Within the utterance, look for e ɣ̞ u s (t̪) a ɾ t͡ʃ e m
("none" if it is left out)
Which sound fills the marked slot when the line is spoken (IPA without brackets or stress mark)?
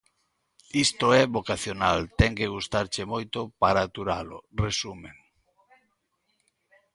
t̪